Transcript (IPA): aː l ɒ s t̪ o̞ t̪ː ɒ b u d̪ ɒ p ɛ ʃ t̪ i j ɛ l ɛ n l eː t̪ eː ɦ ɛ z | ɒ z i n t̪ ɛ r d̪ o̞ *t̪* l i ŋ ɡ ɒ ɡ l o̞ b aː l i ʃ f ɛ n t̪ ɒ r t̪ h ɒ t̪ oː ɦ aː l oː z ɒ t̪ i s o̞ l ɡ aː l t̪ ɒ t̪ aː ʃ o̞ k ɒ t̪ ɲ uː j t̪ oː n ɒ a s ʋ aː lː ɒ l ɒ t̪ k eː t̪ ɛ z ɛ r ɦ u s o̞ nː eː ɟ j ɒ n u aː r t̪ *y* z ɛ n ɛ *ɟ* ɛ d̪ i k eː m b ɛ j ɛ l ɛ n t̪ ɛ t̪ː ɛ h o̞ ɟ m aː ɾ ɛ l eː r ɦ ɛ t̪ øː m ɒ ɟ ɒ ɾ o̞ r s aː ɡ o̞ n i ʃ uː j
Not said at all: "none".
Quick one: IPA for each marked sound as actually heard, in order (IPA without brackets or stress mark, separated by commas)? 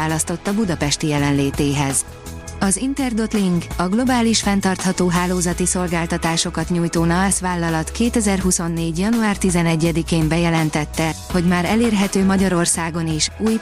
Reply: t̪, i, ɟː